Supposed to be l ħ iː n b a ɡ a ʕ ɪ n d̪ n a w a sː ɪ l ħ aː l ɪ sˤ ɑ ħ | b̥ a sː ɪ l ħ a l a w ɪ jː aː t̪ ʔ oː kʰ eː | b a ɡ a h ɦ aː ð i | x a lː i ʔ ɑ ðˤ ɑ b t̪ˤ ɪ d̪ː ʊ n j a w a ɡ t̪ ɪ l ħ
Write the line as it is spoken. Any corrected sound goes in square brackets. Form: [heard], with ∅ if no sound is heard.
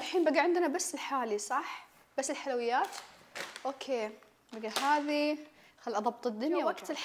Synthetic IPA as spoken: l ħ iː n b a ɡ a ʕ ɪ n d̪ n a [b] a sː ɪ l ħ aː l [i] sˤ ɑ ħ | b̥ a sː ɪ l ħ a l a w ɪ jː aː t̪ ʔ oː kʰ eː | b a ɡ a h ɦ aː ð i | x a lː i ʔ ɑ ðˤ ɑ b t̪ˤ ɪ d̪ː ʊ n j a w a ɡ t̪ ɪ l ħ

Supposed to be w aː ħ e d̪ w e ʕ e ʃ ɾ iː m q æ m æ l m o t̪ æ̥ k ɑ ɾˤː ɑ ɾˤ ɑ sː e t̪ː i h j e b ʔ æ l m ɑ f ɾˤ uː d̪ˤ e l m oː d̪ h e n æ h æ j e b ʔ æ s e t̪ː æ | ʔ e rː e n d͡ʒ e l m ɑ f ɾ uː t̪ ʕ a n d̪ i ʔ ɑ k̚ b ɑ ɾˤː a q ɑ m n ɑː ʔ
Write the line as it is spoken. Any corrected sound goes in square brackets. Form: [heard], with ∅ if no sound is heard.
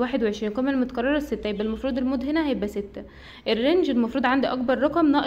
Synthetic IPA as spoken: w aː ħ e d̪ w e ʕ e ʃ ɾ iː [n] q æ m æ l m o t̪ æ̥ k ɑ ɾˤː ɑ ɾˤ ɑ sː e t̪ː [æ] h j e b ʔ æ l m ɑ f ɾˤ uː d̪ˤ e l m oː d̪ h e n æ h æ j e b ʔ æ s e t̪ː æ | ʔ e rː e n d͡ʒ e l m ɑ f ɾ uː [d̪] ʕ a n d̪ i ʔ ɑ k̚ b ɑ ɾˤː [ɑ] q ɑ m n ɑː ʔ

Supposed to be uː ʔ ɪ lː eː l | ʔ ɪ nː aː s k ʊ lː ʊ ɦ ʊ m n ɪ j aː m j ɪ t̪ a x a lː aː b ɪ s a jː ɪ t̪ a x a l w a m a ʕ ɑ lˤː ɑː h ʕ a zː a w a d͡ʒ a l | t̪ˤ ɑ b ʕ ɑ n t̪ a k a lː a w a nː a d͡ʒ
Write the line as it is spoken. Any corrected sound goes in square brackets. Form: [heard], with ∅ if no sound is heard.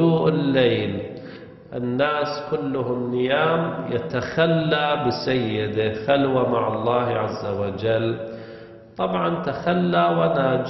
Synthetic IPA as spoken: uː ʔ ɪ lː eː l | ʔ ɪ nː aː s k ʊ lː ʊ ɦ ʊ m n ɪ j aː m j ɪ t̪ a x a lː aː b ɪ s a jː ɪ [d̪] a x a l w a m a ʕ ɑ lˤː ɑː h ʕ a zː a w a d͡ʒ a l | t̪ˤ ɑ b ʕ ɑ n t̪ a [x] a lː a w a [n] a d͡ʒ

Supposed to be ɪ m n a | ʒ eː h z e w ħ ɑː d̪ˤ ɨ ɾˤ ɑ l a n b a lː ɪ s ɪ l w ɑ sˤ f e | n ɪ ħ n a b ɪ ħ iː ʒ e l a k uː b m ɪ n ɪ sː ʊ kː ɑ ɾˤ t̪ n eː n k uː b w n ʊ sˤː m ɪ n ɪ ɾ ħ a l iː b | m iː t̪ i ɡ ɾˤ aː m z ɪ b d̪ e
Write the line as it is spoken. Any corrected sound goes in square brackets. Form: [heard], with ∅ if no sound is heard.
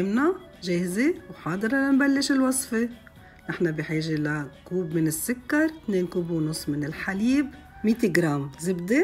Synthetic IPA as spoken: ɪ m n a | ʒ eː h z e w ħ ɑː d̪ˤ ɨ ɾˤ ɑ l a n b a lː ɪ [ʃ] ɪ l w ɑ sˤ f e | n ɪ ħ n a b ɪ ħ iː ʒ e l a k uː b m ɪ n ɪ sː ʊ kː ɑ ɾˤ t̪ n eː n k uː b w n ʊ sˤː m ɪ n ɪ [l] ħ a l iː b | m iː t̪ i ɡ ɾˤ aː m z ɪ b d̪ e

